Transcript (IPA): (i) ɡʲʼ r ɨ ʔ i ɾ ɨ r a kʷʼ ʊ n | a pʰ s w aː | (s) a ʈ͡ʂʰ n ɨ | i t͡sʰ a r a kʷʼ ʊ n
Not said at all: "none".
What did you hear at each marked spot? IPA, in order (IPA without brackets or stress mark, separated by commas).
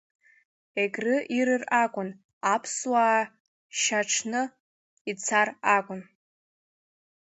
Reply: e, ʃ